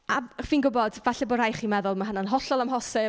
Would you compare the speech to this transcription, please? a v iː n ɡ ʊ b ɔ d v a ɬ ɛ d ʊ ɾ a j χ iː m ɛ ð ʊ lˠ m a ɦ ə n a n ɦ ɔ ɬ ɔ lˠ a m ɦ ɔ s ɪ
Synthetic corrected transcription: a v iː n ɡ ʊ b ɔ d v a ɬ ɛ b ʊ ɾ a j χ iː m ɛ ð ʊ lˠ m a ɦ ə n a n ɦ ɔ ɬ ɔ lˠ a m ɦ ɔ s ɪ